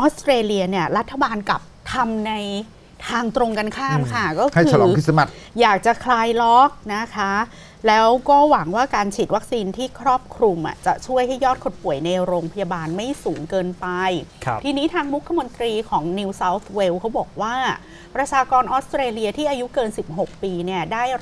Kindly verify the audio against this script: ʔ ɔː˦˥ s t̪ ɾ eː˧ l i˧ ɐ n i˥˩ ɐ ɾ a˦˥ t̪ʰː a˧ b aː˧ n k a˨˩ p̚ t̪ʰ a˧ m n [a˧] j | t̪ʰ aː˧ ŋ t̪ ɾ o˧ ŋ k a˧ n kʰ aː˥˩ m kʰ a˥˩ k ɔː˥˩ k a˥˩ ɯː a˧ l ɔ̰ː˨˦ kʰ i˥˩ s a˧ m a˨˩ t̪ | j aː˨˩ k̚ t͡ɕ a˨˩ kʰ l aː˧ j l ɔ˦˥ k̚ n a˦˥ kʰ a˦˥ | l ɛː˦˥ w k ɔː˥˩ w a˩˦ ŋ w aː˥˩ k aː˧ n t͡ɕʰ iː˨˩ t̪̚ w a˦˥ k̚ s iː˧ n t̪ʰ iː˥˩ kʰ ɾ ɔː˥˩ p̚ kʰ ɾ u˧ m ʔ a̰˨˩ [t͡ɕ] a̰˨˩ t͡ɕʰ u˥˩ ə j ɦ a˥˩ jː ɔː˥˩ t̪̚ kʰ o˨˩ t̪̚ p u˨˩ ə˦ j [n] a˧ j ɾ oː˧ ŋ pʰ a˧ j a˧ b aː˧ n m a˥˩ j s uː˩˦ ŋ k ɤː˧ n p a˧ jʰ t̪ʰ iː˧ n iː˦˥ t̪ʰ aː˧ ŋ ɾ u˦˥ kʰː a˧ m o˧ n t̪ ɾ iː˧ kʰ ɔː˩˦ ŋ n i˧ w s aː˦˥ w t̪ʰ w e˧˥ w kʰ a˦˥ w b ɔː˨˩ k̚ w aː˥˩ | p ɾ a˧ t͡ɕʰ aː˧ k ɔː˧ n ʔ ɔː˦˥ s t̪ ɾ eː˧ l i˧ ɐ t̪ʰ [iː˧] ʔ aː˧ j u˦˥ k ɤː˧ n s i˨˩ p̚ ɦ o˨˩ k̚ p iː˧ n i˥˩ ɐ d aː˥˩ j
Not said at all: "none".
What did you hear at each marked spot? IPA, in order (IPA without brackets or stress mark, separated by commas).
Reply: a˧, t͡ɕ, n, iː˥˩